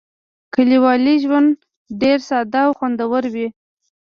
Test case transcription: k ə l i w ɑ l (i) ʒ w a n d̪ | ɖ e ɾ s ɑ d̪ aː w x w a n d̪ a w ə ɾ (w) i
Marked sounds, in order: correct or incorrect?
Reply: correct, correct

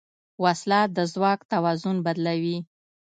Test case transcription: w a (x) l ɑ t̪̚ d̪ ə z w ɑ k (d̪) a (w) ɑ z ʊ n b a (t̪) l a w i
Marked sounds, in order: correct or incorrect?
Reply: incorrect: s, incorrect: t̪, correct, incorrect: d̪

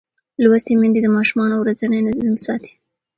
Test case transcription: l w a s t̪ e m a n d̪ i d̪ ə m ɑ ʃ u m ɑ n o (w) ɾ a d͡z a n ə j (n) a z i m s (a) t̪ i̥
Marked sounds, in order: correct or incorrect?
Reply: correct, correct, incorrect: ɑ

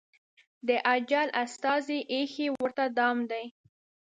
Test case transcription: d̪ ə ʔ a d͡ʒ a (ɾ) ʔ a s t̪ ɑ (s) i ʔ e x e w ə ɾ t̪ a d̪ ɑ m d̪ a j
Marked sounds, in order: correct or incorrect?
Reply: incorrect: l, incorrect: z

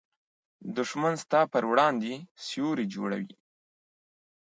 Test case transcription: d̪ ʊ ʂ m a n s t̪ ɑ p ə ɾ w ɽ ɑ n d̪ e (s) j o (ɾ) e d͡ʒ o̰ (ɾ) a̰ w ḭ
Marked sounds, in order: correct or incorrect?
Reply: correct, correct, incorrect: ɽ

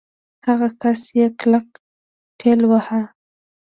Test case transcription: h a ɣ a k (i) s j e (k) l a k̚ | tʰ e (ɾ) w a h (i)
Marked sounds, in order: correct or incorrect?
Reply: incorrect: a, correct, incorrect: l, incorrect: a

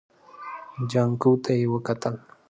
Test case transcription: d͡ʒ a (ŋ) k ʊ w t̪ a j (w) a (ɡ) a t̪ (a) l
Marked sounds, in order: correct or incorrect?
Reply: correct, correct, incorrect: k, correct

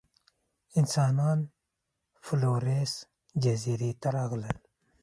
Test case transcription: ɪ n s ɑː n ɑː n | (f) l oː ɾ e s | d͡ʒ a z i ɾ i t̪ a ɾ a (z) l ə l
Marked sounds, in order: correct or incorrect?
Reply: correct, incorrect: ɣ

